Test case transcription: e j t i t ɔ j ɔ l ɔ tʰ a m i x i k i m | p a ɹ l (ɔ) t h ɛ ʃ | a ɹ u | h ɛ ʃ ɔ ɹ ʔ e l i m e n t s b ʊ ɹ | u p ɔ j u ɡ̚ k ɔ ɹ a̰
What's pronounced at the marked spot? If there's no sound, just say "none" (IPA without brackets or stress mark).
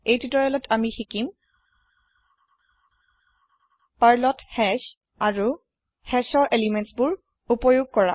ɔ